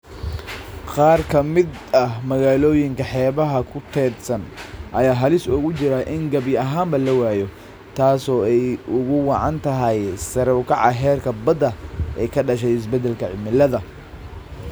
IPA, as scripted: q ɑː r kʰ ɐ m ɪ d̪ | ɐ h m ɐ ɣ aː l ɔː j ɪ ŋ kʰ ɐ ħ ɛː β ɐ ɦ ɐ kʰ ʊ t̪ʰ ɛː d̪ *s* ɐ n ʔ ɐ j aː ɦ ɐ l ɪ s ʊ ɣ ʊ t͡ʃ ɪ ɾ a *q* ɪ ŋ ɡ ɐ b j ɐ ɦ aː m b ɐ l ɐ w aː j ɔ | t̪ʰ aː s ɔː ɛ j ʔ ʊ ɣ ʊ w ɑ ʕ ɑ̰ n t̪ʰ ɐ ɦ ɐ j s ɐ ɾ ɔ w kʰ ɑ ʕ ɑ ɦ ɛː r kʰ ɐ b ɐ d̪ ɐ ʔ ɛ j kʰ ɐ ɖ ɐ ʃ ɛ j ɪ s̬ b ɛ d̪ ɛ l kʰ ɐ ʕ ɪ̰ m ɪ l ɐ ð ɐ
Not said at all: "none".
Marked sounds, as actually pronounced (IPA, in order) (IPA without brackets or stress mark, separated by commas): s, ʔ